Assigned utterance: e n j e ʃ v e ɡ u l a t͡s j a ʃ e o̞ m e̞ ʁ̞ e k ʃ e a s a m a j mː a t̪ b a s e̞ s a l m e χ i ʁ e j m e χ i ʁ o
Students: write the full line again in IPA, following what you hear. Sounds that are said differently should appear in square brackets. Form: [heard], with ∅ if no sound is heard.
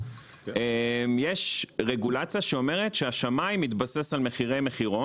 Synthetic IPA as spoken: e [m] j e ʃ [ʁ] e ɡ u l a t͡s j a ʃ e o̞ m e̞ ʁ̞ e [t] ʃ e a [ʃ] a m a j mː [i] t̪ b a s e̞ s a l m e χ i ʁ e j m e χ i ʁ o